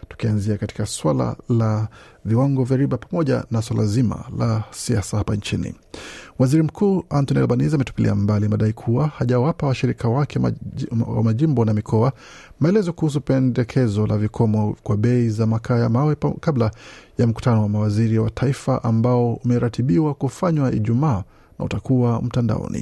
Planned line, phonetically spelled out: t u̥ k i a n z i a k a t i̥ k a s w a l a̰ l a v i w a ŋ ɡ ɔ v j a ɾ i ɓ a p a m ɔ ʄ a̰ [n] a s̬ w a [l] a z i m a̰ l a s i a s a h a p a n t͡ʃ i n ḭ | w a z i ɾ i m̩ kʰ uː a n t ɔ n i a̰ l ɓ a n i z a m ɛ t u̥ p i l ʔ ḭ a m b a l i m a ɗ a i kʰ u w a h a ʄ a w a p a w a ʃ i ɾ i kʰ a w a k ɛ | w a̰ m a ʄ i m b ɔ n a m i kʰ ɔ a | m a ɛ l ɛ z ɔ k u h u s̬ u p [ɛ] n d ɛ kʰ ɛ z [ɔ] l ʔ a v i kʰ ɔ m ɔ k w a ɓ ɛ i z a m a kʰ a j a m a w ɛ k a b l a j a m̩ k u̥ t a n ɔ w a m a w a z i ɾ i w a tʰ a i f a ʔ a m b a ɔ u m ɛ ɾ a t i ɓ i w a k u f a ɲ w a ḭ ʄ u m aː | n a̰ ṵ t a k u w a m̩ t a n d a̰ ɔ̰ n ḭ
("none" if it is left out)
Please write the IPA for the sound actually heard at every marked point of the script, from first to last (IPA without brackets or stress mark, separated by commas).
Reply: n, l, ɛ, ɔ